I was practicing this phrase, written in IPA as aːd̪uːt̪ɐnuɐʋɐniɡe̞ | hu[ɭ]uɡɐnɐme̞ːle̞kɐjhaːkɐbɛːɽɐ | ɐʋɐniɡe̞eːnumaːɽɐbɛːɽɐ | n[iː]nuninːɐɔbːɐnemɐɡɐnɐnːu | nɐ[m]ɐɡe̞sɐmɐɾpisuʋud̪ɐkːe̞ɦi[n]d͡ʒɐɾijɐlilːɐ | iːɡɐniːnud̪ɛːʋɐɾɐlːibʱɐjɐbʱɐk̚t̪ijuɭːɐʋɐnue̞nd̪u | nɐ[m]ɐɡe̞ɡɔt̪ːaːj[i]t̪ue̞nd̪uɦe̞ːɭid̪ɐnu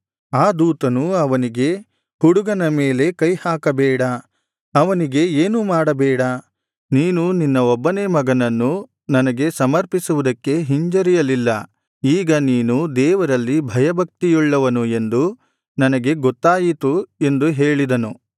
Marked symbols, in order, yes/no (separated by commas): no, yes, no, no, no, yes